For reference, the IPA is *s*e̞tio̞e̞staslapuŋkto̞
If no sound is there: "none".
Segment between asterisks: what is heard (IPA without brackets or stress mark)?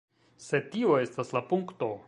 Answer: s